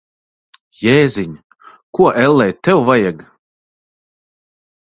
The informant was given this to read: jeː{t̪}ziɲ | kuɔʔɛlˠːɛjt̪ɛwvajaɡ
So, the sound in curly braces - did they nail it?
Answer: no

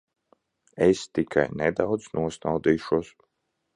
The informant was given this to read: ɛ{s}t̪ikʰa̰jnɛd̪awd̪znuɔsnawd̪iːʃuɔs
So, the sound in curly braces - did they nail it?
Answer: yes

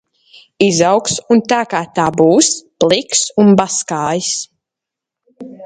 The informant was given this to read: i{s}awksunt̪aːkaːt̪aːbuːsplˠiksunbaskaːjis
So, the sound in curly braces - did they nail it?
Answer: no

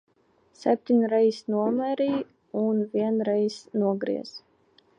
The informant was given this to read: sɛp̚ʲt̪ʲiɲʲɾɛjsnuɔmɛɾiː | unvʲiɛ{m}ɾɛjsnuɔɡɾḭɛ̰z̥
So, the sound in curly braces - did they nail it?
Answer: no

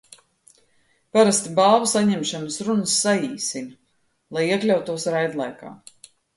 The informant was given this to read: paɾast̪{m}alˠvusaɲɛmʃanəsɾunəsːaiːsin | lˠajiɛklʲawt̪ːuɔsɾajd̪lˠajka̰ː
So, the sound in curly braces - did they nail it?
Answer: no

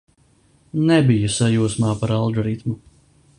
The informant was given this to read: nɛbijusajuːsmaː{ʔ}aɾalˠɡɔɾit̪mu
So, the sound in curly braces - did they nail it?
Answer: no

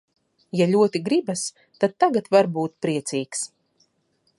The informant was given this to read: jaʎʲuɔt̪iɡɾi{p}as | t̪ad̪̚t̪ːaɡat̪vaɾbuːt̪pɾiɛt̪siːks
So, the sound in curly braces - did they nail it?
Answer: no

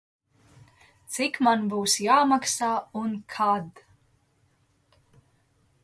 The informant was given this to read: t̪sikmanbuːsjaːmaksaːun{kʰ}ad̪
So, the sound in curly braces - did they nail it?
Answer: yes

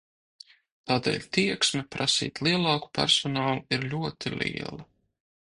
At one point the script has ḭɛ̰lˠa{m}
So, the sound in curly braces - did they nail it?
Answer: no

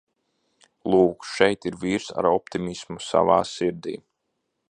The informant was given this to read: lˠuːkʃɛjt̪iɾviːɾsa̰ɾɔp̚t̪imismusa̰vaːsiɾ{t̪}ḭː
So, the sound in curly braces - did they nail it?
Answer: no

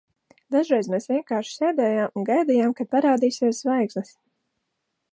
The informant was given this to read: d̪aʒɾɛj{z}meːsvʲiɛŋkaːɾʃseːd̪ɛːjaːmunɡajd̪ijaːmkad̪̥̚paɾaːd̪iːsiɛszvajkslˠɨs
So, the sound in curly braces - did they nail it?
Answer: yes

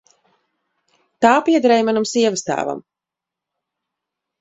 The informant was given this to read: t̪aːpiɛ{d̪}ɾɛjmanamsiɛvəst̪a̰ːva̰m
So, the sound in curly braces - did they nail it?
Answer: yes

